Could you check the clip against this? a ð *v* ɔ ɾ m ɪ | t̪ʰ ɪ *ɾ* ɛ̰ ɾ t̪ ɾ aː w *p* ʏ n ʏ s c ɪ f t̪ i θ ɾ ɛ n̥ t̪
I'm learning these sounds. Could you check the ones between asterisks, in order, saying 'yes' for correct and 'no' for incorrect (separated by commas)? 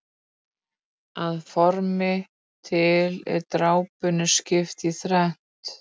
no, no, yes